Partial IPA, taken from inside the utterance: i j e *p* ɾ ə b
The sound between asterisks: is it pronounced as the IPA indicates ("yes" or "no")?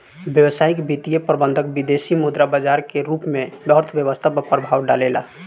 yes